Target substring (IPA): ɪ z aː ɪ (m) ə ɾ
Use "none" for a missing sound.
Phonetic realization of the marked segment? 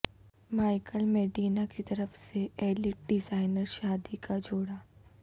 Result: n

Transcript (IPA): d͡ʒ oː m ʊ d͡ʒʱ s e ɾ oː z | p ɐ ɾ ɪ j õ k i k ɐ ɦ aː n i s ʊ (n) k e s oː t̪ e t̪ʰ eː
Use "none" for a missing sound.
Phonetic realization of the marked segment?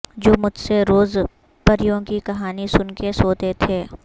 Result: n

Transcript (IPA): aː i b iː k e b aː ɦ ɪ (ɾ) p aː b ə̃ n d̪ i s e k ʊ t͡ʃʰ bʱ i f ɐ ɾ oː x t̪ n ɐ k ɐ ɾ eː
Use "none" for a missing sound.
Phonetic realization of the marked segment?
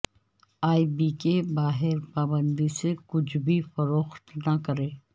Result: ɾ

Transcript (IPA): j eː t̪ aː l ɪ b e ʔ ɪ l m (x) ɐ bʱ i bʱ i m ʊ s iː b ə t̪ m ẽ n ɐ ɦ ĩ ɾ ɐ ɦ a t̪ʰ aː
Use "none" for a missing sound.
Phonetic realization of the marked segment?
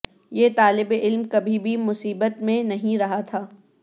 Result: k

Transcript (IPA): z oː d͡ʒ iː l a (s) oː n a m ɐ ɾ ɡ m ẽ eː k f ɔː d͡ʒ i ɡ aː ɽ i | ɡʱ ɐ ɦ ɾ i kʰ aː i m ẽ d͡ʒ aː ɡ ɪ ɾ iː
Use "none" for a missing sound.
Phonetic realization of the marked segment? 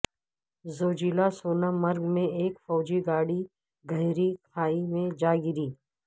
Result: s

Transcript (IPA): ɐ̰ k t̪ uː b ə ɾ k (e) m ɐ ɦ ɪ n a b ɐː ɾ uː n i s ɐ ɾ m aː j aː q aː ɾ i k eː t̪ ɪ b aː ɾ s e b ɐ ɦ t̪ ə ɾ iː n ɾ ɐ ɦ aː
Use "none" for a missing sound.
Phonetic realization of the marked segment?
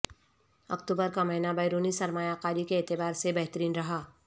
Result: a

